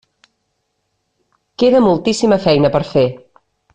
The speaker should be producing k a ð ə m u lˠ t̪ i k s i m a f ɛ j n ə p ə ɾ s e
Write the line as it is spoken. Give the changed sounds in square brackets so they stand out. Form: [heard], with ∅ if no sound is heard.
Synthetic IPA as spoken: k [e] ð ə m u lˠ t̪ i [∅] s i m [ə] f ɛ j n ə p ə ɾ [f] e